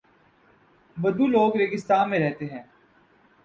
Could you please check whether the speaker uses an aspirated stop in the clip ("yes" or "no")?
no